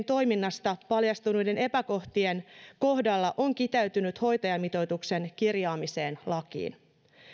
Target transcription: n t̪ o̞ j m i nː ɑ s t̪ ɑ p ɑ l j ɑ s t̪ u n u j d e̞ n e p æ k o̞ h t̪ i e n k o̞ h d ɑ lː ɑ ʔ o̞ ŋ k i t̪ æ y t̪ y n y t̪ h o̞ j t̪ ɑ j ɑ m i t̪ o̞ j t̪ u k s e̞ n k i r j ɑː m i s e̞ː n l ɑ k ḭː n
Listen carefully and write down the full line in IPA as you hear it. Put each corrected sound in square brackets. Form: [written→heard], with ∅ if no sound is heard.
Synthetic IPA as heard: n t̪ o̞ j m i nː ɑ s t̪ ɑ p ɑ l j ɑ s t̪ u n u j d e̞ n e p æ k o̞ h t̪ i e n k o̞ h d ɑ lː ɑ ʔ o̞ ŋ k i t̪ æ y t̪ y n y t̪ h o̞ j t̪ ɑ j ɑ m i t̪ o̞ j t̪ u k s e̞ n k i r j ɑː m i s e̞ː n l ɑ k ḭː n